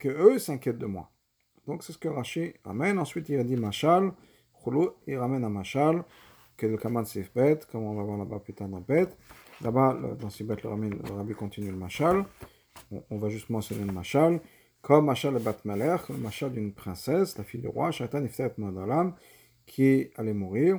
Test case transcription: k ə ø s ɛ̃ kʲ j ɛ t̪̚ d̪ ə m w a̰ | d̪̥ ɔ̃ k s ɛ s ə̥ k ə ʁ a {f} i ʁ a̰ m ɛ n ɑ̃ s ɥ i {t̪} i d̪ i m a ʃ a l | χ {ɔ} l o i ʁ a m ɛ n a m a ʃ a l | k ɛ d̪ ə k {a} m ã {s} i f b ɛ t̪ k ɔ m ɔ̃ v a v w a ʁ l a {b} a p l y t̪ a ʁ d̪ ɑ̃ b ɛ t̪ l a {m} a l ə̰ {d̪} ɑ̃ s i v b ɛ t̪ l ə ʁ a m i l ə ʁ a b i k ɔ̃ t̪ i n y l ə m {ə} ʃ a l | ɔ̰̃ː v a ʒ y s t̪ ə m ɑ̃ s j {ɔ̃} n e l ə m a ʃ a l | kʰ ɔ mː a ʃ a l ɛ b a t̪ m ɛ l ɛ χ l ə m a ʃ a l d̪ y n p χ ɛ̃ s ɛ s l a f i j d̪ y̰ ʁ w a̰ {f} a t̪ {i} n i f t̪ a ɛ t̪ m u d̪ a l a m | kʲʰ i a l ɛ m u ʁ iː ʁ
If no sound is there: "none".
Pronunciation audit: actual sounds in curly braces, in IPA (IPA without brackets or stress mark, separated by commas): ʃ, t̪, u, a, s, b, b, d̪, a, ɔ, ʃ, a